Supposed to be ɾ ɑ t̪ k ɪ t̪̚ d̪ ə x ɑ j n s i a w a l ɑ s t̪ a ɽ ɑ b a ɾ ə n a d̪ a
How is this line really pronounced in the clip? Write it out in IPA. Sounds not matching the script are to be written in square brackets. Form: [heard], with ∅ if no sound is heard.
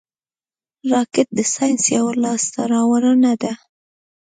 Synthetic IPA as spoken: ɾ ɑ [∅] k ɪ t̪̚ d̪ ə [s] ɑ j n s [j] a w a l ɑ s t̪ a [ɾ] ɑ [w] a ɾ ə n a d̪ a